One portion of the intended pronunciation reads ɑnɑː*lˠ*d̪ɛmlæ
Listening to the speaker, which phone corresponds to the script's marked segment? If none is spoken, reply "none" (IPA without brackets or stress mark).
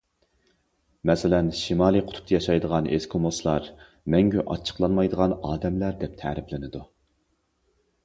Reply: none